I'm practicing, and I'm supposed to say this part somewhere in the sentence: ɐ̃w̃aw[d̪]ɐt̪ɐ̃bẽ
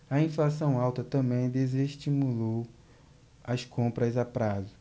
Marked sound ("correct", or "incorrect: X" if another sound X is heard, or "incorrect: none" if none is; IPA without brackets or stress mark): incorrect: t̪